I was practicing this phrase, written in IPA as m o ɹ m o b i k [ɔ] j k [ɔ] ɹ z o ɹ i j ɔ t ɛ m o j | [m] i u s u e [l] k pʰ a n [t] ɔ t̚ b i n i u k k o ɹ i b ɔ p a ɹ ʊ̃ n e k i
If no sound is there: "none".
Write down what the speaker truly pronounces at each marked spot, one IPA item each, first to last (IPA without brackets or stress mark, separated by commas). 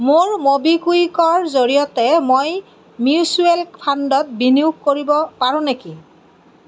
u, ɔ, m, l, d